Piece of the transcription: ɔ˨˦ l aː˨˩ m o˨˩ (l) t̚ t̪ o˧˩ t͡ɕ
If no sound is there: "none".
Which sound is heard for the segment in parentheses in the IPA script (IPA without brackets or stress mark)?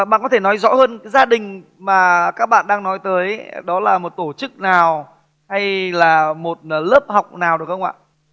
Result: none